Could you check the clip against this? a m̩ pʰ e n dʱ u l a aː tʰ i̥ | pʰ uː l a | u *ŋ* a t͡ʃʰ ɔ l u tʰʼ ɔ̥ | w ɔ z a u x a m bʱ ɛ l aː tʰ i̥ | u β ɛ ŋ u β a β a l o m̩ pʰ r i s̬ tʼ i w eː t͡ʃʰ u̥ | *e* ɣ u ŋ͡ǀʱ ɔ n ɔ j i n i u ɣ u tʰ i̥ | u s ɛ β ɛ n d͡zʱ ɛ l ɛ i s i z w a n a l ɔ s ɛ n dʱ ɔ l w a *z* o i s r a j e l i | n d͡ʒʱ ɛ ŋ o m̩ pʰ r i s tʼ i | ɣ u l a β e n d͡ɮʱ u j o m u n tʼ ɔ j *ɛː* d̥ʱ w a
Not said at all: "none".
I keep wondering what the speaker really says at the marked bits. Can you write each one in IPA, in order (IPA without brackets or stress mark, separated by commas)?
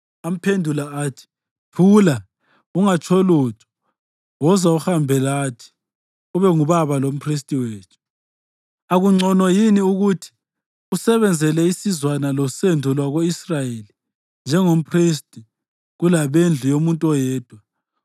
ŋ, a, ɣ, ɛː